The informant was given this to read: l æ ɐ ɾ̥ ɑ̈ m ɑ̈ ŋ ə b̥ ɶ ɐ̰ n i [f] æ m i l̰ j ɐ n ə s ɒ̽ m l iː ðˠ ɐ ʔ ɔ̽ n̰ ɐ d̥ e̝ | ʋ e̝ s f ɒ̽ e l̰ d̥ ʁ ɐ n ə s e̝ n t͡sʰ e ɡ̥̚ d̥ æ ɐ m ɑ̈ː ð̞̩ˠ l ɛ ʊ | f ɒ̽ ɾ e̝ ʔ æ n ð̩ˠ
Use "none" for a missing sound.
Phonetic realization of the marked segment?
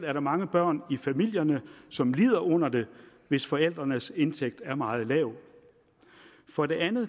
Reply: f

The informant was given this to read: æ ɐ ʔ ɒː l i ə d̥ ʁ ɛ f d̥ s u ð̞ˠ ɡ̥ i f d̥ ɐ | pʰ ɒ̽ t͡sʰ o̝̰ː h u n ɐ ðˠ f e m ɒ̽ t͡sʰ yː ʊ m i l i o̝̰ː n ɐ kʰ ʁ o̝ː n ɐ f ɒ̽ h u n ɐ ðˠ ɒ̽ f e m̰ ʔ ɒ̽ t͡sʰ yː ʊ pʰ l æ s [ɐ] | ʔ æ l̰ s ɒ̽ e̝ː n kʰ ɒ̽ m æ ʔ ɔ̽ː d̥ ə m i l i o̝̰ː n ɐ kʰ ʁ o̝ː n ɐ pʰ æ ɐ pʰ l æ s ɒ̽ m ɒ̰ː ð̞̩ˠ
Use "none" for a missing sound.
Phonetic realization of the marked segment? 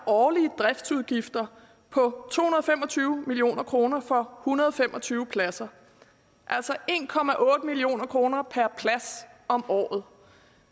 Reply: ɐ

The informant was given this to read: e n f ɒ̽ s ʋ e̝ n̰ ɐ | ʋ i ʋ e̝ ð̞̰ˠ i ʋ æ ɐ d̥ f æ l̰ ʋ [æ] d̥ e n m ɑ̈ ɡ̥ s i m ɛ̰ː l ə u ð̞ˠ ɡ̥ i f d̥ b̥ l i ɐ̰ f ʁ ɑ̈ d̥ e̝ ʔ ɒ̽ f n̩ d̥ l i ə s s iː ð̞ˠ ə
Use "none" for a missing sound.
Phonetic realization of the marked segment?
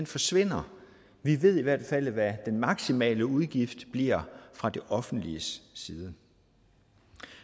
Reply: æ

